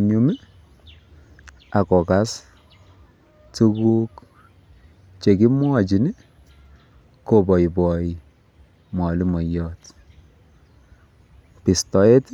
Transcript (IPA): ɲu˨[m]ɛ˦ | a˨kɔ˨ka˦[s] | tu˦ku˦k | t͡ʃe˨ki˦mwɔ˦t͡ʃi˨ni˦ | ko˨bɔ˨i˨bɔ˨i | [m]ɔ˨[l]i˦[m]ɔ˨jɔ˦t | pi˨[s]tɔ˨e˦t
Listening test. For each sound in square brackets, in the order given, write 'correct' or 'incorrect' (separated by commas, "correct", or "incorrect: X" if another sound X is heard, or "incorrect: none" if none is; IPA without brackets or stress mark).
correct, correct, correct, correct, correct, correct